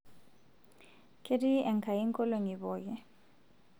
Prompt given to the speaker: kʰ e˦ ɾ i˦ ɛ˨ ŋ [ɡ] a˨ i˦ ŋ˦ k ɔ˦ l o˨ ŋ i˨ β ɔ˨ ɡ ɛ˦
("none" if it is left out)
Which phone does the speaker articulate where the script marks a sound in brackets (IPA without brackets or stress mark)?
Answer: k